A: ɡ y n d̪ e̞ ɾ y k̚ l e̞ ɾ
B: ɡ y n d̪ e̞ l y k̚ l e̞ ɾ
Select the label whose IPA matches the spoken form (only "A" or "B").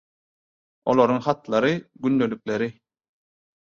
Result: B